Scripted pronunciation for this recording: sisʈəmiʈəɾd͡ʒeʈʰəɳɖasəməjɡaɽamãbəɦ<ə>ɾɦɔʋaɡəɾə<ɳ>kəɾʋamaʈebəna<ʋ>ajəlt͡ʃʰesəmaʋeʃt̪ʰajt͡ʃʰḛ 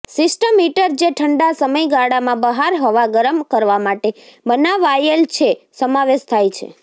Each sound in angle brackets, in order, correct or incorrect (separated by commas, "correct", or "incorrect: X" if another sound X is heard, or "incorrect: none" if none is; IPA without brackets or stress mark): incorrect: a, incorrect: m, correct